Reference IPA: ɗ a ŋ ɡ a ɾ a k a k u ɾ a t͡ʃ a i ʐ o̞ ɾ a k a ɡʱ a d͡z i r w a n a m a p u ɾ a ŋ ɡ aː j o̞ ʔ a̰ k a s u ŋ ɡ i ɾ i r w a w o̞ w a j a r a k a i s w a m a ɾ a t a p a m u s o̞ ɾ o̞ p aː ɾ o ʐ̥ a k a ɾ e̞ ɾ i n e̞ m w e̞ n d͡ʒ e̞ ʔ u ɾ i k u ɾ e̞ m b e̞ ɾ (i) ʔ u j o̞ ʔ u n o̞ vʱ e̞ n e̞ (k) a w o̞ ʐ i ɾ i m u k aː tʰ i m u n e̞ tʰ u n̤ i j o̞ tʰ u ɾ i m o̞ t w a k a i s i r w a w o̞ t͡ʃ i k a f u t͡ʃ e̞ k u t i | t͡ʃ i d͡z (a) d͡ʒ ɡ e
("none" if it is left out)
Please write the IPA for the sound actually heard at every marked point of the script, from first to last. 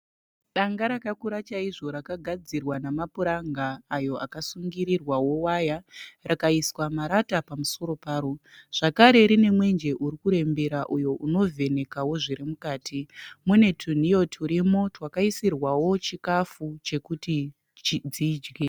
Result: a, k, i

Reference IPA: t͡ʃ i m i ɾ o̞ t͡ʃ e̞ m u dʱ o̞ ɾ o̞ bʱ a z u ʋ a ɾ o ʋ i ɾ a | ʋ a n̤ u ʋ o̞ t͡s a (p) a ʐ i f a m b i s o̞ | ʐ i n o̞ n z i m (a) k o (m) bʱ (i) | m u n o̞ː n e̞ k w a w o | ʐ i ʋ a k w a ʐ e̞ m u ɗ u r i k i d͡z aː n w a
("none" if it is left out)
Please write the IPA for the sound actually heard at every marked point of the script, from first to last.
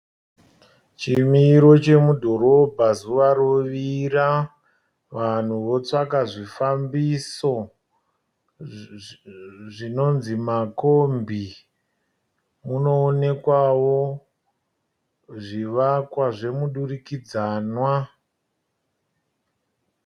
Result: k, a, m, i

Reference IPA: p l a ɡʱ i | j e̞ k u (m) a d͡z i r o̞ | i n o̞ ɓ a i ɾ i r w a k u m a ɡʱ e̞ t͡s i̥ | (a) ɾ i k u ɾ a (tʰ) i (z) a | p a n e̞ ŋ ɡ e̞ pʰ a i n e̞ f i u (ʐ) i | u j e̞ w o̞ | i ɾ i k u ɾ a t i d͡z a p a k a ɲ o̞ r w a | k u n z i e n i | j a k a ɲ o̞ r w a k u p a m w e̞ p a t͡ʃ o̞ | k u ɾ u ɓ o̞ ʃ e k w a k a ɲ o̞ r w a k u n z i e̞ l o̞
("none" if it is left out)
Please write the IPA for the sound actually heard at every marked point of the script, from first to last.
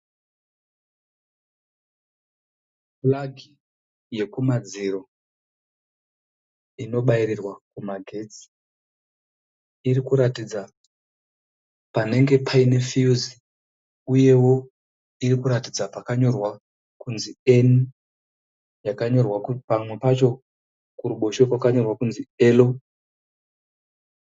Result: m, i, t, d͡z, z

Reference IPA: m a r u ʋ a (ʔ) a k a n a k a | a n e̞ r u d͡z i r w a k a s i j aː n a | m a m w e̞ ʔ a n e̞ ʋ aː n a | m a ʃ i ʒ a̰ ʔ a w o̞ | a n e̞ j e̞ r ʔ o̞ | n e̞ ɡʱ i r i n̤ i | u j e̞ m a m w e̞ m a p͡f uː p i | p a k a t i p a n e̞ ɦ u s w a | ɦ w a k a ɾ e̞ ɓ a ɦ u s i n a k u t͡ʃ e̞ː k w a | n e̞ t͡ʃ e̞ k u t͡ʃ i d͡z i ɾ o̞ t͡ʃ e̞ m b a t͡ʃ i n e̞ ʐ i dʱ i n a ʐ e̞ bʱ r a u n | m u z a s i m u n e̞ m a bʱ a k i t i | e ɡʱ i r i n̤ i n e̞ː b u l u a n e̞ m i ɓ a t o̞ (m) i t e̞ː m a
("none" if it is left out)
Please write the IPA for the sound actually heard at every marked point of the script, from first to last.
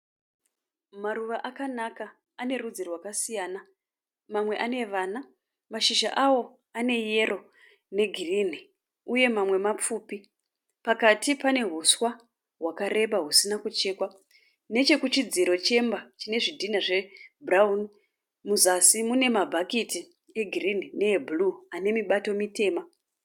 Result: ʔ, m

